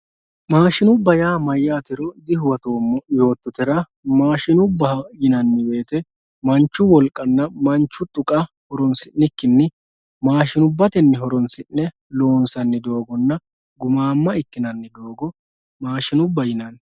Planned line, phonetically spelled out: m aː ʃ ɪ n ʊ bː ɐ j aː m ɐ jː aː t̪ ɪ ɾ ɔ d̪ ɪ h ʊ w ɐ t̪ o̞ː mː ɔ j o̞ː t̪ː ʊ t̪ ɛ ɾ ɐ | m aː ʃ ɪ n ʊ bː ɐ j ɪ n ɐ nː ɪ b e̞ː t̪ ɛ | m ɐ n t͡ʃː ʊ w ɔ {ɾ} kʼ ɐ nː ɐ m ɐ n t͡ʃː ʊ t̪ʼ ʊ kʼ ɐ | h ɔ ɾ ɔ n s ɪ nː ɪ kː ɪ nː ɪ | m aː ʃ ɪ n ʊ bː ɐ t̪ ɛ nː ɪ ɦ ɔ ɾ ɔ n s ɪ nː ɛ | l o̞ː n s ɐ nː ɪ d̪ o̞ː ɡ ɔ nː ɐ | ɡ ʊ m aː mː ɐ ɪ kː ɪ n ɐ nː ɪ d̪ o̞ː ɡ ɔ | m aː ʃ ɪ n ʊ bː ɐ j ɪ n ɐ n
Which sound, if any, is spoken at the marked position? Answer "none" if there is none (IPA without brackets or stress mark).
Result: l